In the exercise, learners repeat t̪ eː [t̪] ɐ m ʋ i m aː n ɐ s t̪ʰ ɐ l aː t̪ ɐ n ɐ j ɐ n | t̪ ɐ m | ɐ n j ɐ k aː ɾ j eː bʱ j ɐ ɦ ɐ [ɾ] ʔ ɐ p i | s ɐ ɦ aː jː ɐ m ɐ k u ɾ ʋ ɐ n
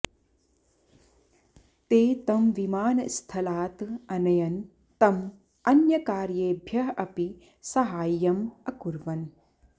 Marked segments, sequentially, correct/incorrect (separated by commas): correct, incorrect